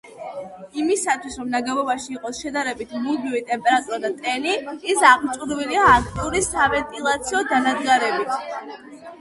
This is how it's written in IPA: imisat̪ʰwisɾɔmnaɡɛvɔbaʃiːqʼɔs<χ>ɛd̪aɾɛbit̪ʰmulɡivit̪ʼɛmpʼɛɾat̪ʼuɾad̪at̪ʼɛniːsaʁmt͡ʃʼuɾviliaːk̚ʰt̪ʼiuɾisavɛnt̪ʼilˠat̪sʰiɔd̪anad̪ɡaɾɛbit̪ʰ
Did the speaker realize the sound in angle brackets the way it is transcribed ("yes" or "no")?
no